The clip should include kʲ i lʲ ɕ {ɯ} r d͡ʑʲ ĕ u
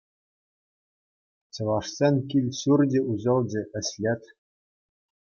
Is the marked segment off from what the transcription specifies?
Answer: yes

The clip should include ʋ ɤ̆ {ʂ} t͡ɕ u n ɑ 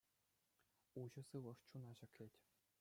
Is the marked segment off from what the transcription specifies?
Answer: no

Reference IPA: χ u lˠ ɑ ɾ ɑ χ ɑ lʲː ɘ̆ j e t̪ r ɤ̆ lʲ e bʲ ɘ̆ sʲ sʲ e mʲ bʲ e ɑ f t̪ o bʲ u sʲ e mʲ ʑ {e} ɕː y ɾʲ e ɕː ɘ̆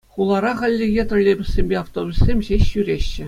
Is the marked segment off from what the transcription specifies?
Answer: no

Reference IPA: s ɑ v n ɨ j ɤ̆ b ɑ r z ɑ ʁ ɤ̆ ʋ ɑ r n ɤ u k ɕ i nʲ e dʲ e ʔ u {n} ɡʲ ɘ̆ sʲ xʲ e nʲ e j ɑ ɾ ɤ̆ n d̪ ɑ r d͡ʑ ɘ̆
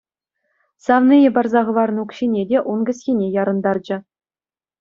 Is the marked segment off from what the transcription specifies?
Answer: no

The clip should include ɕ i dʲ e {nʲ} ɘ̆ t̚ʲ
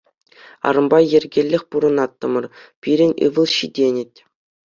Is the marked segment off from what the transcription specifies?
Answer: no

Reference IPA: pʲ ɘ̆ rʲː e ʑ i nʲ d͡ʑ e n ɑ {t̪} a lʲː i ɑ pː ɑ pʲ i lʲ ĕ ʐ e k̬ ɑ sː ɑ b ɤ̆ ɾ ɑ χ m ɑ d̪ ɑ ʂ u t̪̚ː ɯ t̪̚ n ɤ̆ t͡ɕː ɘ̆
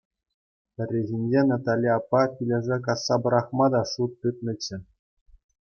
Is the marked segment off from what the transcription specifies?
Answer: no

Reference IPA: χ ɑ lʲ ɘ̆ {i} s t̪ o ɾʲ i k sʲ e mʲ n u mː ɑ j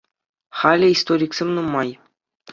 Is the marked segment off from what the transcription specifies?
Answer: no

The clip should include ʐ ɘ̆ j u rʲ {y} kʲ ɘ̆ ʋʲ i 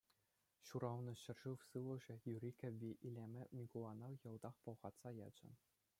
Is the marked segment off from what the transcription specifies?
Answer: yes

